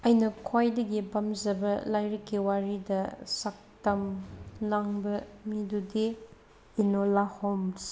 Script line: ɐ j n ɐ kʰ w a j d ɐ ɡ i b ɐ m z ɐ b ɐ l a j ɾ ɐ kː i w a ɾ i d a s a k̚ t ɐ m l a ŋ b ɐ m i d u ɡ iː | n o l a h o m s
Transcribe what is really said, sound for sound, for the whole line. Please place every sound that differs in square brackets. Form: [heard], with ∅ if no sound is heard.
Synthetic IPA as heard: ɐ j n ɐ kʰ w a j d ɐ ɡ i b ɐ m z ɐ b ɐ l a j ɾ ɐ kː i w a ɾ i d [ɐ] s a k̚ t ɐ m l a ŋ b ɐ m i d u [d] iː | n o l a h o m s